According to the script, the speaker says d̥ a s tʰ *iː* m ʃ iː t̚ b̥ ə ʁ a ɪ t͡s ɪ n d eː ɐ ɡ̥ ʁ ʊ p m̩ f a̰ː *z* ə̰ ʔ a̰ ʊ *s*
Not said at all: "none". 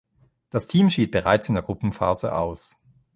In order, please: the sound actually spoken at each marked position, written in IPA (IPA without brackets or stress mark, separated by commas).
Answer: iː, z, s